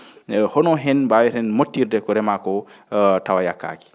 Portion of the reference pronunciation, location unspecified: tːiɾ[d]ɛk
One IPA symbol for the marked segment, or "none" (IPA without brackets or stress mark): d